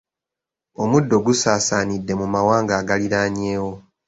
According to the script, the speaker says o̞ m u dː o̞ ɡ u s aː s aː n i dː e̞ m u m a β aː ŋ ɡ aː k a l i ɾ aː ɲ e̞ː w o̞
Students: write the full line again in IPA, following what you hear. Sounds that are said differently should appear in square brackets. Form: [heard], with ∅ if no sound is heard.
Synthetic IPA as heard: o̞ m u dː o̞ ɡ u s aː s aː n i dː e̞ m u m a [w] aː ŋ ɡ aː [ɡ] a l i ɾ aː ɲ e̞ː w o̞